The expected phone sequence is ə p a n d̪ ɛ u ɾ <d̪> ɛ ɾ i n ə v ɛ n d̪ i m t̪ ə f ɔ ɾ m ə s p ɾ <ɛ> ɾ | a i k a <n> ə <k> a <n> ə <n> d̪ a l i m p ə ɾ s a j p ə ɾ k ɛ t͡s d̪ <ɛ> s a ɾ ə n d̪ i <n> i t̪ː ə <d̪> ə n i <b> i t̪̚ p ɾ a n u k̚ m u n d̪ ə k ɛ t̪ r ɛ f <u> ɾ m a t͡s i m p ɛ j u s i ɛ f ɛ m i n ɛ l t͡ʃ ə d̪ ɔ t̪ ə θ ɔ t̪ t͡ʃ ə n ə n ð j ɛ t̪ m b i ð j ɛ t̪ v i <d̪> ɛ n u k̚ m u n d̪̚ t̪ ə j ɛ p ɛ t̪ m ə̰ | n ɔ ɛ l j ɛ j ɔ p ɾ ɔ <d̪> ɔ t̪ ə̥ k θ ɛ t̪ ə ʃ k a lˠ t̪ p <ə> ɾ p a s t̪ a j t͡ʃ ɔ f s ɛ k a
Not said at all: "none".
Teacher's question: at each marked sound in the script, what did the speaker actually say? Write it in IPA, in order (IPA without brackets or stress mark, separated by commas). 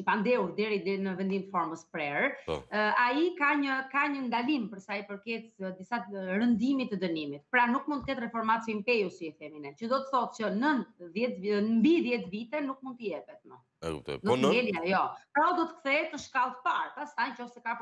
d̪, ɛ, ɲ, k, ɲ, n, i, m, d̪, m, ɔ, t̪, d̪, a